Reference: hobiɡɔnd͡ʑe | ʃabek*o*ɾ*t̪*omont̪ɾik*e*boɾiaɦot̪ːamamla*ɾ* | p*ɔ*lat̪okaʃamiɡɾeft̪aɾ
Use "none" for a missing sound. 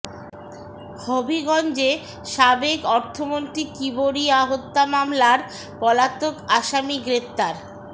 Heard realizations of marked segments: ɔ, t̪ʰ, i, ɾ, ɔ

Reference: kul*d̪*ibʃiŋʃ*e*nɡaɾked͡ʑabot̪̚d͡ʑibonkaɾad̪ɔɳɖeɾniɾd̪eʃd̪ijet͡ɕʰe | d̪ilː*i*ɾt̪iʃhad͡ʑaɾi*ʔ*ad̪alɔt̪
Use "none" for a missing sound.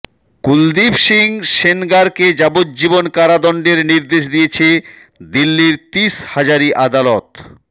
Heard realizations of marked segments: d̪, e, i, ʔ

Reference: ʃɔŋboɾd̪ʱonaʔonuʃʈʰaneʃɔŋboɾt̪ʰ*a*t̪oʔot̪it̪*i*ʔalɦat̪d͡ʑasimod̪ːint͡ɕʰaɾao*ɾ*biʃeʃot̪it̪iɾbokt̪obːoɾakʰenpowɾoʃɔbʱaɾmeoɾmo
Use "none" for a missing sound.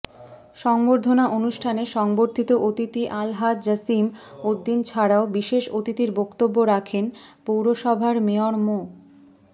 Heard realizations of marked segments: i, i, none

